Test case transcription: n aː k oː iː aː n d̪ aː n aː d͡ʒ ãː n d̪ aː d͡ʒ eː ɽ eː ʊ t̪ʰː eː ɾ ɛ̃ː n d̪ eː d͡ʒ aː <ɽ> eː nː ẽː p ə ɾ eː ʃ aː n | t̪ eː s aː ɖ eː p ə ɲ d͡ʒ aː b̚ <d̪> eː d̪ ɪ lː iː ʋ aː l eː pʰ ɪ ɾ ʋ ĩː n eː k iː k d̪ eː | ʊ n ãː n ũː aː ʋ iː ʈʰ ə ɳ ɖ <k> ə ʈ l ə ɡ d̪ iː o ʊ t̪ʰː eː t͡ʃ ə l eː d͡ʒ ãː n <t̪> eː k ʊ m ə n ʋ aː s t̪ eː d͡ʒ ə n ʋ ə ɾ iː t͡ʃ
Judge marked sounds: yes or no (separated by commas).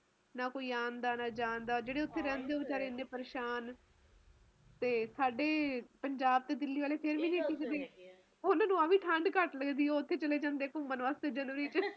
no, no, yes, no